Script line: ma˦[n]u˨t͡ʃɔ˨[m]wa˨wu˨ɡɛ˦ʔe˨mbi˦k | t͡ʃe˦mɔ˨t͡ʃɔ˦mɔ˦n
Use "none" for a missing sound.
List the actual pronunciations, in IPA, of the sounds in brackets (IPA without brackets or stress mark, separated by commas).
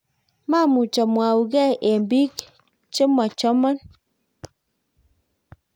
m, m